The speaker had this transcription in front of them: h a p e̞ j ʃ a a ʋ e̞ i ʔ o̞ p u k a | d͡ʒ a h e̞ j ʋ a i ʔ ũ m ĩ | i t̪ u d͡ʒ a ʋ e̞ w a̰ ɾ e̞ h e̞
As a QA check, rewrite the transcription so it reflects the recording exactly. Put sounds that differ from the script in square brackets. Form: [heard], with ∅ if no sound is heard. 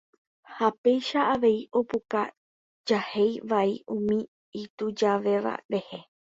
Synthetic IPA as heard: h a p e̞ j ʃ a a ʋ e̞ i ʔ o̞ p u k a | d͡ʒ a h e̞ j ʋ a i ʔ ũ m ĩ | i t̪ u d͡ʒ a ʋ e̞ [ʋ] a̰ ɾ e̞ h e̞